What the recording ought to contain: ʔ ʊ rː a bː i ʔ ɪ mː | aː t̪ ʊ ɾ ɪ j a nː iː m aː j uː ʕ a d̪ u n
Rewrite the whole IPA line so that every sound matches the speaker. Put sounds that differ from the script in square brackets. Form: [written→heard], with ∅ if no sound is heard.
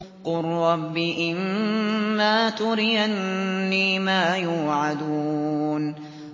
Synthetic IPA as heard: [ʔ→q] ʊ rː [a→ɑ] bː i ʔ ɪ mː | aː t̪ ʊ ɾ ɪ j a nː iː m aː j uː ʕ a d̪ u n